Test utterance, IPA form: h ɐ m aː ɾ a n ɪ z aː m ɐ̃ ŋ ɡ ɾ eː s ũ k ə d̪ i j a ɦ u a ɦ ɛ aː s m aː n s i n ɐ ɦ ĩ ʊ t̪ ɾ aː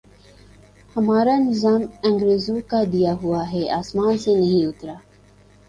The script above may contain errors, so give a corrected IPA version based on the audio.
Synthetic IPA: h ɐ m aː ɾ a n ɪ z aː m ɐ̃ ŋ ɡ ɾ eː z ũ k a d̪ i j a ɦ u a ɦ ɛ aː s m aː n s e n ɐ ɦ ĩ ʊ t̪ ɾ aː